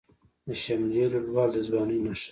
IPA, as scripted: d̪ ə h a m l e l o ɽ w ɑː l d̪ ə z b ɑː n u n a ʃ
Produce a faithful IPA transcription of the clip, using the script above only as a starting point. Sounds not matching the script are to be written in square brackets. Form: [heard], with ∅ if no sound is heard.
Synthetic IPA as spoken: d̪ ə [ʃ] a m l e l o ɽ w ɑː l d̪ ə z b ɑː n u n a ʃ